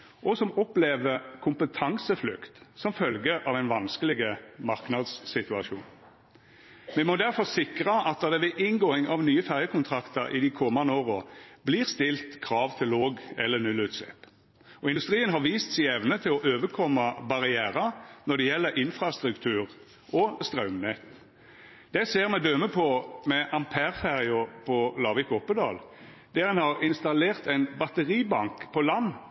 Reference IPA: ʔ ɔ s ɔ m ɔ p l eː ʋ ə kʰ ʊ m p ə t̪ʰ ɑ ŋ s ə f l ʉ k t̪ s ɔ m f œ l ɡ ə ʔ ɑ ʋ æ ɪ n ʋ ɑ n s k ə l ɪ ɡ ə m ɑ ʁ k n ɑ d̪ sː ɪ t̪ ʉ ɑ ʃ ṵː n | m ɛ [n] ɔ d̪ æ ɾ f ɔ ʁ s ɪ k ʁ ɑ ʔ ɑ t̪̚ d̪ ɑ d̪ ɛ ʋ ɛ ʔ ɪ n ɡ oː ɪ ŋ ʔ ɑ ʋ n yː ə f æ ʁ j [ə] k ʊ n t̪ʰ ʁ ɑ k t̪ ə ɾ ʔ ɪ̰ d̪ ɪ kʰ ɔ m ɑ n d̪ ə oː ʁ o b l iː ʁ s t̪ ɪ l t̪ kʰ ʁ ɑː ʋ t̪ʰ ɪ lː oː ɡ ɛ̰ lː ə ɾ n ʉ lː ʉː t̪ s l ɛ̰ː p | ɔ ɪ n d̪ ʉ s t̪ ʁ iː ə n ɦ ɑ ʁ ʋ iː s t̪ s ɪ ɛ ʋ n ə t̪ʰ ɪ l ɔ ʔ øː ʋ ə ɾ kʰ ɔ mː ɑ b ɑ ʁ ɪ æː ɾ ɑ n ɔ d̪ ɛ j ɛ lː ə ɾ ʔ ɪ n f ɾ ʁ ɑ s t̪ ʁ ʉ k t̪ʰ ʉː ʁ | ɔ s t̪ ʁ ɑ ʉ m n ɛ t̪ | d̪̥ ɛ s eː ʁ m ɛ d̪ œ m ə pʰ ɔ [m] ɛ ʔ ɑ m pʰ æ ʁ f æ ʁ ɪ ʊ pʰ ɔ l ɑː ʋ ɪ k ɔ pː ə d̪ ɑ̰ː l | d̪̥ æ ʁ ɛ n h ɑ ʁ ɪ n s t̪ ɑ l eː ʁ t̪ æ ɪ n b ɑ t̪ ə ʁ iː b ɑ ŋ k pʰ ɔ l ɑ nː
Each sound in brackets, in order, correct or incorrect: incorrect: m, correct, correct

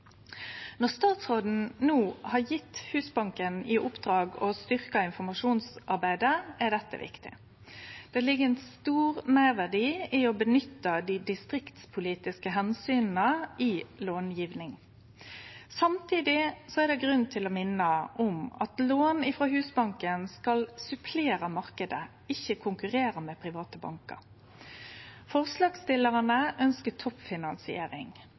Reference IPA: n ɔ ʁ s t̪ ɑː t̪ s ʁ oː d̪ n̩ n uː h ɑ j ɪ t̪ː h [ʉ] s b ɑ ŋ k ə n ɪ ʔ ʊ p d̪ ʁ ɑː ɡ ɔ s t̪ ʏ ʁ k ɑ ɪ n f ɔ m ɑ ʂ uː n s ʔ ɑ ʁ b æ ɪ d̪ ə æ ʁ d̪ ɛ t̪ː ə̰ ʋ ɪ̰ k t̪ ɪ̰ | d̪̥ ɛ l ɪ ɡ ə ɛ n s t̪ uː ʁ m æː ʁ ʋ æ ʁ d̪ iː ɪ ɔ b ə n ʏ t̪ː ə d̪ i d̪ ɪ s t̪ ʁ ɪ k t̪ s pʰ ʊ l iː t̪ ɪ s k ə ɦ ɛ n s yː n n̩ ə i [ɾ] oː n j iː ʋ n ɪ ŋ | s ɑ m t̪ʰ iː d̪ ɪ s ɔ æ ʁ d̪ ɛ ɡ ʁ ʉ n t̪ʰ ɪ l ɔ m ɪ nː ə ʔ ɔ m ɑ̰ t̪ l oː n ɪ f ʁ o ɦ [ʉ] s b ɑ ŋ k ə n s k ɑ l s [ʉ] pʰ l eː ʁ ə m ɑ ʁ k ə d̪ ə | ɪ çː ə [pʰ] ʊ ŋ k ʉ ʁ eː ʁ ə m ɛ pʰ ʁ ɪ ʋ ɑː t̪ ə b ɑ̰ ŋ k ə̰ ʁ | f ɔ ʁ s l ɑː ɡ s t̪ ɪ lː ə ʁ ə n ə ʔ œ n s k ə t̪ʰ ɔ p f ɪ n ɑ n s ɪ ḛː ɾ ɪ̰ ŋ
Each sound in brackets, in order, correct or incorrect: incorrect: ʉː, incorrect: l, incorrect: ʉː, correct, incorrect: kʰ

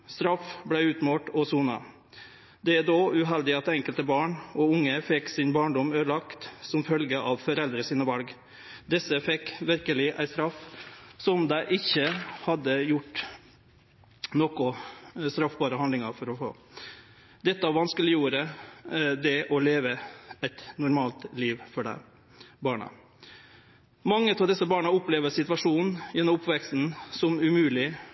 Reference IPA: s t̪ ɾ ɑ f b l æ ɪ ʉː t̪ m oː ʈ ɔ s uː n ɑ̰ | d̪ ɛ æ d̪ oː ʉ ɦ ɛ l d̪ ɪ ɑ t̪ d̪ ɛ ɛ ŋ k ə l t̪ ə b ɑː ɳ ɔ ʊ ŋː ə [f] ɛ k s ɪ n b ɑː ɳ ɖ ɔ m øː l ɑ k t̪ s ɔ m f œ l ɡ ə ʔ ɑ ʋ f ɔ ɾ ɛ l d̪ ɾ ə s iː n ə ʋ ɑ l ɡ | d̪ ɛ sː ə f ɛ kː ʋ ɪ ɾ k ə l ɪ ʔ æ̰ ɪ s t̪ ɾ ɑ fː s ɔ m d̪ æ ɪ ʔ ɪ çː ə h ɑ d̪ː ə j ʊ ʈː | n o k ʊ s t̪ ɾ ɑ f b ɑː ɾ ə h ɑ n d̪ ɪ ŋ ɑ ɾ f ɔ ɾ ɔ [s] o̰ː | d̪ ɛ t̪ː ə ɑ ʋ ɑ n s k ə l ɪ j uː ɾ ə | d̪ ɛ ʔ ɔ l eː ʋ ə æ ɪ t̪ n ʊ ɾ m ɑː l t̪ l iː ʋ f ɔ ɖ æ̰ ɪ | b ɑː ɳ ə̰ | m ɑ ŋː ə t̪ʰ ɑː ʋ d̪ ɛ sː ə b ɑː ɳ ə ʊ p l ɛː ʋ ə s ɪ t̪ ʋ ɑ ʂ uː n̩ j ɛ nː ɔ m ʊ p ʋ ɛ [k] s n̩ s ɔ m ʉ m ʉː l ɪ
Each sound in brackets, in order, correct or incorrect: correct, incorrect: f, correct

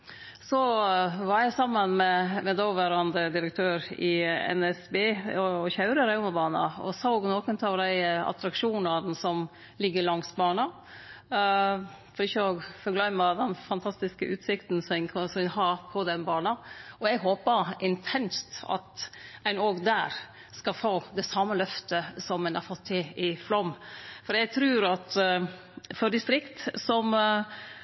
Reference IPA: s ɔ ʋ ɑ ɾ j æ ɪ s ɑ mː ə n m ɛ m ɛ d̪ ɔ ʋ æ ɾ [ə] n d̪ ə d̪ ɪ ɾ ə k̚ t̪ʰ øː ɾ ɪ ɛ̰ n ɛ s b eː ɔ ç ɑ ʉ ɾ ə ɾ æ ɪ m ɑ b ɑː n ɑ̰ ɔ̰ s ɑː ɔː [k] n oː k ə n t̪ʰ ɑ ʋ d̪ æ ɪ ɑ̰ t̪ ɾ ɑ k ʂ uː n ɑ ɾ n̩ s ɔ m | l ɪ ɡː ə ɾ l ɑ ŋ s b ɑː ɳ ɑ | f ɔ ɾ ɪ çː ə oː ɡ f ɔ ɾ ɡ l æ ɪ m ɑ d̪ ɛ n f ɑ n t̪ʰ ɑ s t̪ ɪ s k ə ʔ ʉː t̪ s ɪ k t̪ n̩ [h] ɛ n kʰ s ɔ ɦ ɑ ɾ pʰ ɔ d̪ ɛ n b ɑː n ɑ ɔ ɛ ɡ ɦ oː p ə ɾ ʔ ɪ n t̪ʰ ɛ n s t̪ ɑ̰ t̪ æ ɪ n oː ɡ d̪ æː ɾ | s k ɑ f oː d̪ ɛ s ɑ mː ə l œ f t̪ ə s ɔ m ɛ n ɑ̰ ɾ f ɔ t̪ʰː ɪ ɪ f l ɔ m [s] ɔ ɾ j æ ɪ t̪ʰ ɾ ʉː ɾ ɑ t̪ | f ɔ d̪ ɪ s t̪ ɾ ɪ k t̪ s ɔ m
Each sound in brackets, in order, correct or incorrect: incorrect: ɑ, incorrect: ɡ, incorrect: s, incorrect: f

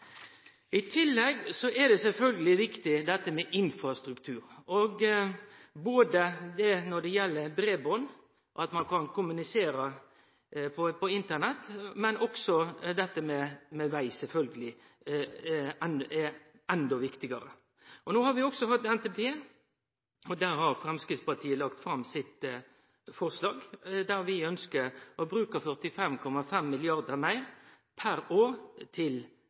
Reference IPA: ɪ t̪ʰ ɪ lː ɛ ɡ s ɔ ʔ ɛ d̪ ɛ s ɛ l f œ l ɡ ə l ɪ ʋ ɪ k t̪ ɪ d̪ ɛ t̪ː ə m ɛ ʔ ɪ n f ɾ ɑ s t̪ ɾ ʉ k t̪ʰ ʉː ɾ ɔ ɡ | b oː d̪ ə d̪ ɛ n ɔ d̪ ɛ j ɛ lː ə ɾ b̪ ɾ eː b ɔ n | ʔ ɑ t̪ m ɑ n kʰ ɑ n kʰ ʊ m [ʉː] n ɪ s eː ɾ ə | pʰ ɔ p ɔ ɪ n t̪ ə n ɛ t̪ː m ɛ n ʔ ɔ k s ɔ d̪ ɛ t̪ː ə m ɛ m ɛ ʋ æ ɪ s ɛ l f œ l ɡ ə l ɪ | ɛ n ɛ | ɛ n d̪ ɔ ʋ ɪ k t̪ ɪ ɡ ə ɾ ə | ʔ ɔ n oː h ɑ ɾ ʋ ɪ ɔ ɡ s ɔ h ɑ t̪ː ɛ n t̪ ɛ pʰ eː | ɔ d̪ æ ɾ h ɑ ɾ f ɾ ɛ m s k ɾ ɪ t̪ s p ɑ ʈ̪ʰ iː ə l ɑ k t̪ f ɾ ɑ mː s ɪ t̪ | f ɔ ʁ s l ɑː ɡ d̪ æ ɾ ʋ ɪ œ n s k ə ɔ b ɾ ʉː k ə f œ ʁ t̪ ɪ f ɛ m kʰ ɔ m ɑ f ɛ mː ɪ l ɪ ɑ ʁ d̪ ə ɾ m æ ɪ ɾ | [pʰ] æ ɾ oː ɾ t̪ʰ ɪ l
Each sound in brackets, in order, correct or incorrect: incorrect: ʉ, correct

